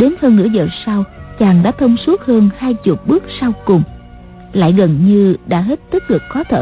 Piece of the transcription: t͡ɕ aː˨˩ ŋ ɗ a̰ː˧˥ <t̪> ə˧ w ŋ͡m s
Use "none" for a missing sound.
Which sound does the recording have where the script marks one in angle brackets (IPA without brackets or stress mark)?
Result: t̪ʰ